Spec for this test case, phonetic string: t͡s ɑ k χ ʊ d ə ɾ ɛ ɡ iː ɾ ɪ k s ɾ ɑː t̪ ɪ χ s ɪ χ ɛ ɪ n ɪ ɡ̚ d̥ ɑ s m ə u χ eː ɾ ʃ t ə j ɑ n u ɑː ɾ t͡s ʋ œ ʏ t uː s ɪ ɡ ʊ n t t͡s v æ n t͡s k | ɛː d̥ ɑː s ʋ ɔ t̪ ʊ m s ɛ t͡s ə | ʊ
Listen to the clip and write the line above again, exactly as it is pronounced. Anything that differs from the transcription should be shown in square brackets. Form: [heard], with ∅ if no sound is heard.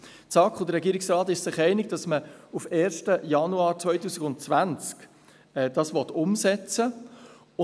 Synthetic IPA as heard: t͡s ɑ k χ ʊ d ə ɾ ɛ ɡ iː ɾ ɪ k s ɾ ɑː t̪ ɪ [ʃ] s ɪ χ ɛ ɪ n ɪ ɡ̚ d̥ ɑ s m ə u [f] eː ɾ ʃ t ə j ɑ n u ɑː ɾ t͡s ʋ œ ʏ t uː s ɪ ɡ ʊ n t t͡s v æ n t͡s k | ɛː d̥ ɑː s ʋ ɔ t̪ ʊ m s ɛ t͡s ə | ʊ